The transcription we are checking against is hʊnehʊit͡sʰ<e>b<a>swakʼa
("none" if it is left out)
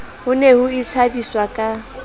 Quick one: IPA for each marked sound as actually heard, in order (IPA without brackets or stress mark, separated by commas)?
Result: a, i